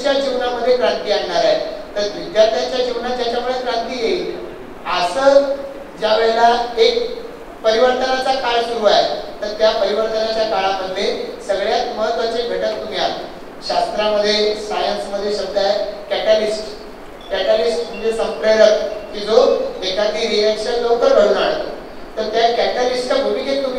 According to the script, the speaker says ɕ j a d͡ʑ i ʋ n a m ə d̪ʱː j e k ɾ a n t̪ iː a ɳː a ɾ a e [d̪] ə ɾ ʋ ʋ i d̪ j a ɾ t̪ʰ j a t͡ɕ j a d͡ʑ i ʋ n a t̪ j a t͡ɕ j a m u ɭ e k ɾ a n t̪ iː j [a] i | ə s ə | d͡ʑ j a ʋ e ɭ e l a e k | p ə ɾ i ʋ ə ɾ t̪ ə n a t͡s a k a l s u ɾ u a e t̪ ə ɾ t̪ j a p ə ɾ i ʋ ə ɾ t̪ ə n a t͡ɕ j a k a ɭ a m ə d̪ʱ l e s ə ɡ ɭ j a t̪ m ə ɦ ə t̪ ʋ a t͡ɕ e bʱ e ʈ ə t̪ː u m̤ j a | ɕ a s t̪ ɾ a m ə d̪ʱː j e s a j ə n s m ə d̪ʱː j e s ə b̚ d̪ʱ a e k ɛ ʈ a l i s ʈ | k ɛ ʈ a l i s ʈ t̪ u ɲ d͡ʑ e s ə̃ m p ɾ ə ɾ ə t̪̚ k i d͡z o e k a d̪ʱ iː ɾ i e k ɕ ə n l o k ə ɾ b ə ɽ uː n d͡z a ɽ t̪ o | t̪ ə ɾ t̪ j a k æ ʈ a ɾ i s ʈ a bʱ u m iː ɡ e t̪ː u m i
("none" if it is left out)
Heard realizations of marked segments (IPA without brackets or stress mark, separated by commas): t̪, e